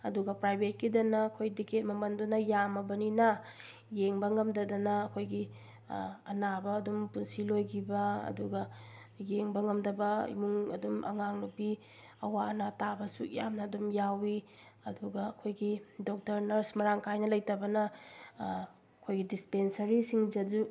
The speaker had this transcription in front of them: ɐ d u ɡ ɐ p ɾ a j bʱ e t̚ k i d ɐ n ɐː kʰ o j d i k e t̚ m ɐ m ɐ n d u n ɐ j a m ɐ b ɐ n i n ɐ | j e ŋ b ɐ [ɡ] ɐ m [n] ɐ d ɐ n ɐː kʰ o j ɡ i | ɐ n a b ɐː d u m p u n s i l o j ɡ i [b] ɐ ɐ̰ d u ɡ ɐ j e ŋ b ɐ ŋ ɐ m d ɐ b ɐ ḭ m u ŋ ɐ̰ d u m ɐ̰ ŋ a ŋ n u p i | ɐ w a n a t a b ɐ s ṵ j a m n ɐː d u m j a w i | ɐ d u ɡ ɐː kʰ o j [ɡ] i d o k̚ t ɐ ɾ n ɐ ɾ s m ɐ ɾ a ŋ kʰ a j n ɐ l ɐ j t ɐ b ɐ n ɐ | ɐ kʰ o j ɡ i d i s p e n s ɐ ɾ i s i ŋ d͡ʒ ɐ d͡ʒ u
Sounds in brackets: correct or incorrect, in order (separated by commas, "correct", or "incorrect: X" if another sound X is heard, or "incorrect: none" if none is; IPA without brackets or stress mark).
incorrect: ŋ, incorrect: d, correct, correct